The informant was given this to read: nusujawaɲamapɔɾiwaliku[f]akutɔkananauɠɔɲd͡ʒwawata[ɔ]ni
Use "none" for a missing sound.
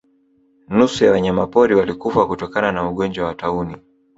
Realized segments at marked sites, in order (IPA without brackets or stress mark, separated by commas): f, u